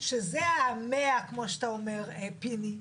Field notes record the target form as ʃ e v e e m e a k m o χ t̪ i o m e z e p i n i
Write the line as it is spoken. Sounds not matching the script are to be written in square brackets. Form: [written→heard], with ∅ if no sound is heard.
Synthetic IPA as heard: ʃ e [v→z] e [e→a] m e a k m o [χ→ʃ] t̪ [i→a] o m e [z→ʁ] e p i n i

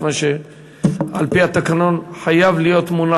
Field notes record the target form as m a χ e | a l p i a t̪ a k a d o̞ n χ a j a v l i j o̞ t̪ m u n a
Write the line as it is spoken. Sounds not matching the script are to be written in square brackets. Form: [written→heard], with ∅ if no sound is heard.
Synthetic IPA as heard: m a [χ→ʃ] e | a l p i a t̪ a k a [d→n] o̞ n [χ→ħ] a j a v l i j o̞ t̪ m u n a

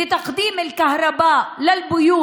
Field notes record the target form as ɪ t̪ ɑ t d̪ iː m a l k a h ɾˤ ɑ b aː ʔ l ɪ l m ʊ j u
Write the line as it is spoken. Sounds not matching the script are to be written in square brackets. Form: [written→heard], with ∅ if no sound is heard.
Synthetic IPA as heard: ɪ t̪ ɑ [t→q] d̪ iː m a l k a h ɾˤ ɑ b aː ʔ l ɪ l [m→b] ʊ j [u→uː]

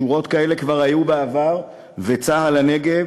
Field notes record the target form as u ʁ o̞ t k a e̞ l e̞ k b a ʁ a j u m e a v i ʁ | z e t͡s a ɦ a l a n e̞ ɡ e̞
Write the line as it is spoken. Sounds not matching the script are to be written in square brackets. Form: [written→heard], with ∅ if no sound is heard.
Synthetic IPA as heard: u ʁ o̞ t k a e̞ l e̞ k [b→v] a ʁ a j u [m→b] e a v [i→a] ʁ | [z→v] e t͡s a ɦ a l a n e̞ ɡ e̞

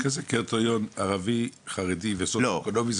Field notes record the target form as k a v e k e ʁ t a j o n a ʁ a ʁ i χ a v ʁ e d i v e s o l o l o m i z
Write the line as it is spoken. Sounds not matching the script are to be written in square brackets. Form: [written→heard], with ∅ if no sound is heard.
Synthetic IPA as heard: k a [v→z] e k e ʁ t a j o n a ʁ a [ʁ→v] i χ a [v→∅] ʁ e d i v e s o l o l o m i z

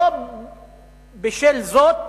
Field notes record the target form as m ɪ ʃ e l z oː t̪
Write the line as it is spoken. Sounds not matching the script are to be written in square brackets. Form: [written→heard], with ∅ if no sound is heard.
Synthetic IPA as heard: [m→b] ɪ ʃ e l z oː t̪

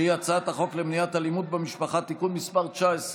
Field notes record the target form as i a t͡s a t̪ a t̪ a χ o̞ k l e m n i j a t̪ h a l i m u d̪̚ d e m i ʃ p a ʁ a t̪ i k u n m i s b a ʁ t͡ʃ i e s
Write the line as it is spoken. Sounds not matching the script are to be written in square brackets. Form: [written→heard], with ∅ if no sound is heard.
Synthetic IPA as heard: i a t͡s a [t̪→∅] a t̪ a χ o̞ k l e m n i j a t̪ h a l i m u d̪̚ [d→b] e m i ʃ p a [ʁ→χ] a t̪ i k u n m i s [b→p] a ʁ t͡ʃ [i→a] e s

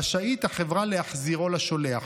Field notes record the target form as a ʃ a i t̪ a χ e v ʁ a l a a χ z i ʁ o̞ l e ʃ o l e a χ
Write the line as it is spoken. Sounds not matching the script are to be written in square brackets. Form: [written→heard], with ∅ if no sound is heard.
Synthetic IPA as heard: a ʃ a i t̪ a χ e v ʁ a l [a→e] a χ z i ʁ o̞ l [e→a] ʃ o l e a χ

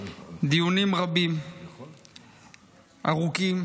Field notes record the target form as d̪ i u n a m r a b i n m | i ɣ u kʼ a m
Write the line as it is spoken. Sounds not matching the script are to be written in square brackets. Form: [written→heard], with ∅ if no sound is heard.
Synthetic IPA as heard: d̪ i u n [a→i] m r a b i [n→∅] m | [i→a] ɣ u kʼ [a→i] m

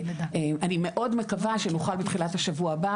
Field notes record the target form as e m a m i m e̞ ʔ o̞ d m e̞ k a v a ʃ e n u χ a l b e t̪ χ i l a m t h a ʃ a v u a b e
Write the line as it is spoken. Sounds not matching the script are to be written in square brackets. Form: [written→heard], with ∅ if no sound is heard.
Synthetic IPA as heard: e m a [m→n] i m e̞ ʔ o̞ d m e̞ k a v a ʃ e n u χ a l b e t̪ χ i l a [m→∅] t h a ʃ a v u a b [e→a]

